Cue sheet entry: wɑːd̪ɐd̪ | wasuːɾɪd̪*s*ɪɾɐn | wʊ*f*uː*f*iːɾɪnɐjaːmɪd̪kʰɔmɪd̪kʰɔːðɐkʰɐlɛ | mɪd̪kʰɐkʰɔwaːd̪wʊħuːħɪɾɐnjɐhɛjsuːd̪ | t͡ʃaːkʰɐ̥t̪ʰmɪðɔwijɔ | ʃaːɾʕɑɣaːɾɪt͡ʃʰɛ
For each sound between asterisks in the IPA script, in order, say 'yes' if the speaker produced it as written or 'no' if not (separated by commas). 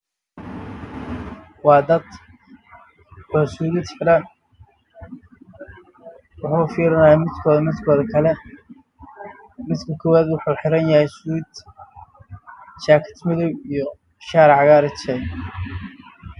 no, no, yes